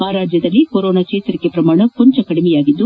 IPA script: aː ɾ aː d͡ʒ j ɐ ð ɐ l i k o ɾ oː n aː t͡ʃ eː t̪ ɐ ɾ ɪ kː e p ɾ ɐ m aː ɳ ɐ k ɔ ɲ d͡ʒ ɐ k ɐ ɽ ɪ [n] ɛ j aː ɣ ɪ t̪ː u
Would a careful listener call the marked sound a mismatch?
yes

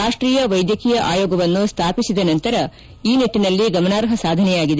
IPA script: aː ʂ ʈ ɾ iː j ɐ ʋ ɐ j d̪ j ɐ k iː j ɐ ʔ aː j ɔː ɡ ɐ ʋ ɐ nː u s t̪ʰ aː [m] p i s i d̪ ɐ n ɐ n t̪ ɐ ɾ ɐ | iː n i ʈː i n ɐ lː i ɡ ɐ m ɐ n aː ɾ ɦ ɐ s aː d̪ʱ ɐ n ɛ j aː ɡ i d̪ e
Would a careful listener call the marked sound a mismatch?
yes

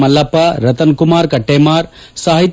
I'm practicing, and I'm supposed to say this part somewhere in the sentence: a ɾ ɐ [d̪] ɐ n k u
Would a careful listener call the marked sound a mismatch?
yes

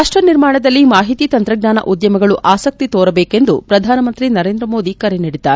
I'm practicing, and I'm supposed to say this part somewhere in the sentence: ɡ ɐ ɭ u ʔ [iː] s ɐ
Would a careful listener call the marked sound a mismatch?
yes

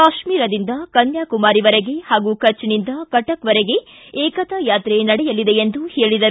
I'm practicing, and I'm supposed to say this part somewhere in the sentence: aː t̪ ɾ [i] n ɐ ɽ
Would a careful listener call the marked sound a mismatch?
yes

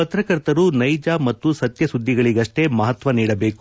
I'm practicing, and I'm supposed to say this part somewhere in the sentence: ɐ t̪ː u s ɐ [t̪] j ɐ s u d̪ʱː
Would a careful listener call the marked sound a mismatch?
no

